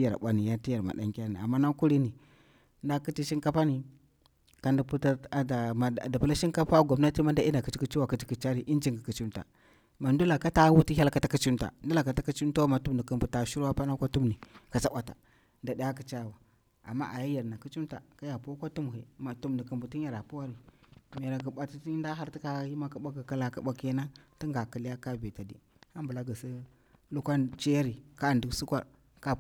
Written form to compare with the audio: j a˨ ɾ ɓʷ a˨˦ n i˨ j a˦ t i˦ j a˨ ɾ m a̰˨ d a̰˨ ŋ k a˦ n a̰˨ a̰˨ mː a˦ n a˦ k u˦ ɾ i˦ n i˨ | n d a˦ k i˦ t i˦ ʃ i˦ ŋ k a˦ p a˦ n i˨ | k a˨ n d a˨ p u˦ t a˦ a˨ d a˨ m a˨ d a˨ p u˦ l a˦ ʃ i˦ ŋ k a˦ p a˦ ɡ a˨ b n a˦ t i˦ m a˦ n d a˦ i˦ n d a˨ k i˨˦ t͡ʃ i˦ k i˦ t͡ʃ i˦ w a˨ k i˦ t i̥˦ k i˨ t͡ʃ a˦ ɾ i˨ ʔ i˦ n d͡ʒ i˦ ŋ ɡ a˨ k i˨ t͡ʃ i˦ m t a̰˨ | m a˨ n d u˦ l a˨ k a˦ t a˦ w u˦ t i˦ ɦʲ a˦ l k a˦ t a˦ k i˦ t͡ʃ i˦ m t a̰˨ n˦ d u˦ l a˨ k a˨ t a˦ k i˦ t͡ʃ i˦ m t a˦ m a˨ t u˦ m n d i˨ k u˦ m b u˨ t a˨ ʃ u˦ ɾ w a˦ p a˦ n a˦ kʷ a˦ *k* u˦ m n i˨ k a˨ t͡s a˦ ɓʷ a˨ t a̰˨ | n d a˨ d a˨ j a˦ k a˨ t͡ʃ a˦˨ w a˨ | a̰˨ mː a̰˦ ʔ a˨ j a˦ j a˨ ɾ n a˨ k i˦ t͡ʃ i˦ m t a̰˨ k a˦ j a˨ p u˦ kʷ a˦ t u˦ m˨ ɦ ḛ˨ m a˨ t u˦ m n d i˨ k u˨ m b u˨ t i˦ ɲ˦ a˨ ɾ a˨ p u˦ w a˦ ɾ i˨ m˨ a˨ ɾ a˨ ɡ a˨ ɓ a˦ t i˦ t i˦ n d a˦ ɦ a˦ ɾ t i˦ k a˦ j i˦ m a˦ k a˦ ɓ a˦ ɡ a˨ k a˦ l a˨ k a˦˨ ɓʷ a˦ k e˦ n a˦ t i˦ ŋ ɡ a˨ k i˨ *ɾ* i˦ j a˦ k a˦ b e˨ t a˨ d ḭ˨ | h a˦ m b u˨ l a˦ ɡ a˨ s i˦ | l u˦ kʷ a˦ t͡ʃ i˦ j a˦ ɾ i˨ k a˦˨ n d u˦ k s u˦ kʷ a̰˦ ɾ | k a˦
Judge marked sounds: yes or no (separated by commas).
no, no